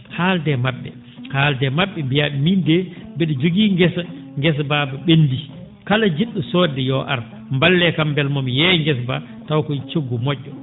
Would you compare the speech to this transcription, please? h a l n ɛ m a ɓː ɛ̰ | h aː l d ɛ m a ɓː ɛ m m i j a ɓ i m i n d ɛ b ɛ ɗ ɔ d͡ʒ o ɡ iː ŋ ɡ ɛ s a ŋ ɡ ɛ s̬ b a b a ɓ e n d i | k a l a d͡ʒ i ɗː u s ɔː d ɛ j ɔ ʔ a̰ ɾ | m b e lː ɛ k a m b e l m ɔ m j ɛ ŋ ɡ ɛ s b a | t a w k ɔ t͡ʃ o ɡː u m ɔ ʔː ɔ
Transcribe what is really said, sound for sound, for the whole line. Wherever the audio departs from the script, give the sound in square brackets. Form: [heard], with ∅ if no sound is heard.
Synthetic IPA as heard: h a l [d] ɛ m a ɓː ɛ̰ | h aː l d ɛ m a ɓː ɛ m [b] i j a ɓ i m i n d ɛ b ɛ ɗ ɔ d͡ʒ o ɡ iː ŋ ɡ ɛ s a ŋ ɡ ɛ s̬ b a b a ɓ e n d i | k a l a d͡ʒ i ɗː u s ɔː d ɛ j ɔ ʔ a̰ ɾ | m b [a] lː ɛ k a m b [ɛ] l m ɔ m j ɛ ŋ ɡ ɛ s b a | t a w k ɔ t͡ʃ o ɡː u m ɔ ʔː ɔ